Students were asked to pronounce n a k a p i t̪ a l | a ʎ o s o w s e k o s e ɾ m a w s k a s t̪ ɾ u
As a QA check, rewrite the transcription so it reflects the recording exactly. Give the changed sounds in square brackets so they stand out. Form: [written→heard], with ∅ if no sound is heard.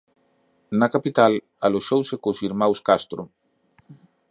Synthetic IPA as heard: n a k a p i t̪ a l | a [ʎ→l] o [s→ʃ] o w s e k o s [e→i] ɾ m a w s k a s t̪ ɾ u